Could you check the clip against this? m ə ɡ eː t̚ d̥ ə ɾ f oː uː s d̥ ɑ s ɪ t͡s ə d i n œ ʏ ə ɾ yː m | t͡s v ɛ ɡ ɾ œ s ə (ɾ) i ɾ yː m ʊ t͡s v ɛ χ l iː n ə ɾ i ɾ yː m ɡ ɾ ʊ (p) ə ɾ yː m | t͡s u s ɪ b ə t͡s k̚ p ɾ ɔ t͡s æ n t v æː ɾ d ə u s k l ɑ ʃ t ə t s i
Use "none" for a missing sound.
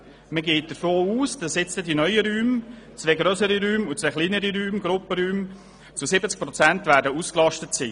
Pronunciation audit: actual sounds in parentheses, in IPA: ɾ, p

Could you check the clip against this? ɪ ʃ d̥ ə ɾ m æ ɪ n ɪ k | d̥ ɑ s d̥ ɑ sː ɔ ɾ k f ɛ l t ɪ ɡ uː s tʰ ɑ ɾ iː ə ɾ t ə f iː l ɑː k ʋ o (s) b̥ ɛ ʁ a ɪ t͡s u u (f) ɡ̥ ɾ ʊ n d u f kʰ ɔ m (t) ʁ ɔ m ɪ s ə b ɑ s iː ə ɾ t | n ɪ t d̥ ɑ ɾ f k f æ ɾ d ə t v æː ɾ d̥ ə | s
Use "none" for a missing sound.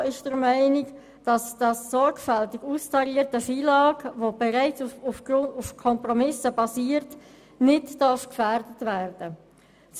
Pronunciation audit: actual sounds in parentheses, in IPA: none, f, p

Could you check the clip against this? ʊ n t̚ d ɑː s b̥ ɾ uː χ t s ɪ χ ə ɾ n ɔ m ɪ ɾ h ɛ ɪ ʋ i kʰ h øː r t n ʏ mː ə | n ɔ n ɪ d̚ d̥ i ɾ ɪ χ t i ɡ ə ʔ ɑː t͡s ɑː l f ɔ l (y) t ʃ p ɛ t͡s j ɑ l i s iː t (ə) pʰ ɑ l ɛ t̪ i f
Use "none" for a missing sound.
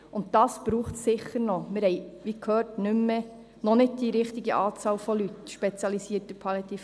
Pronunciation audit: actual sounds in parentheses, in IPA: y, ə

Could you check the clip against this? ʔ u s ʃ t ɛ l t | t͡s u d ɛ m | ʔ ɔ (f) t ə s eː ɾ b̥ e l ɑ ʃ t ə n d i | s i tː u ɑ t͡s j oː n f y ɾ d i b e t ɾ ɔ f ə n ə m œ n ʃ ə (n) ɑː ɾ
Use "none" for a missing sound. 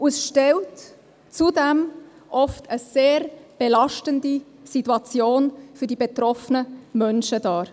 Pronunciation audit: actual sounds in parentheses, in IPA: f, d

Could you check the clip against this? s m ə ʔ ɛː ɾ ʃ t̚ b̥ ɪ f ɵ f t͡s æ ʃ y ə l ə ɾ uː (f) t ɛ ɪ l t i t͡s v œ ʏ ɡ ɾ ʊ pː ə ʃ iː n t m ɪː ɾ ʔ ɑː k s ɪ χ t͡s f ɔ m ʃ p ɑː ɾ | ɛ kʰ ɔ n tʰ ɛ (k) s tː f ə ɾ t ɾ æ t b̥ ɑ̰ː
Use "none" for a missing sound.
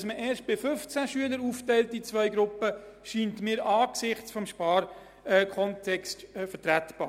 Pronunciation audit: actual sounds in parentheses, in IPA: f, k

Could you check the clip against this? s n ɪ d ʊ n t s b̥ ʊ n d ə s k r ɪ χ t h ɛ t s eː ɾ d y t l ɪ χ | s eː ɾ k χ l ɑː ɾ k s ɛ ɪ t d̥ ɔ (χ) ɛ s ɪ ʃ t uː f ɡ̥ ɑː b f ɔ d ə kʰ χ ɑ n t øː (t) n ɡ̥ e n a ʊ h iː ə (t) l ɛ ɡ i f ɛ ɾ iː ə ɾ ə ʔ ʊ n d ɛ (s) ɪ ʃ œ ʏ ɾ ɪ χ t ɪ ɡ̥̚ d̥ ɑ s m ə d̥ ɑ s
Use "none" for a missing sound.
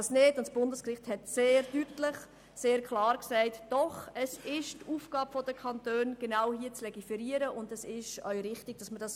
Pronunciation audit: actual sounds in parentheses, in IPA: χ, none, t͡s, s

